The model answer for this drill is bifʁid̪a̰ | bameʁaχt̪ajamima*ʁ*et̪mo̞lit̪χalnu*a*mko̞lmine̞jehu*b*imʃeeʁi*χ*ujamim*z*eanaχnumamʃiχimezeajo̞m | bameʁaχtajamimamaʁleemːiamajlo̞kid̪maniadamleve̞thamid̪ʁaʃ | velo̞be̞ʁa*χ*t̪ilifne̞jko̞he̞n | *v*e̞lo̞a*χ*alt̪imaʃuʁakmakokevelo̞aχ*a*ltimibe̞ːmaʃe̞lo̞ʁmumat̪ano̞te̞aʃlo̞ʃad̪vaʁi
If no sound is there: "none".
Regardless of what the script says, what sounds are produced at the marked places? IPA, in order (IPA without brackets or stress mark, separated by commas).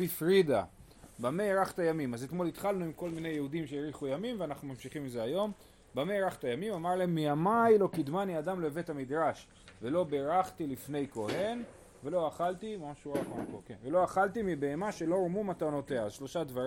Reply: z, i, d, χ, v, χ, v, χ, a